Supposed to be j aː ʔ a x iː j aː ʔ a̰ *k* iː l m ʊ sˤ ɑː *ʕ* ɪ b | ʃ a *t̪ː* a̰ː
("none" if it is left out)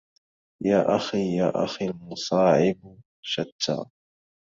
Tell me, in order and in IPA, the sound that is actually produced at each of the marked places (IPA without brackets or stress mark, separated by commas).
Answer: x, ʕ, t̪ː